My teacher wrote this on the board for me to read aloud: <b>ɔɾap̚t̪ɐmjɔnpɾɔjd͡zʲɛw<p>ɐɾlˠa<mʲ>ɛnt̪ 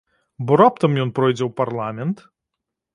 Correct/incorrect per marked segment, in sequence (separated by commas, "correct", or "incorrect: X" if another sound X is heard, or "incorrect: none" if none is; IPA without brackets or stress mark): correct, correct, correct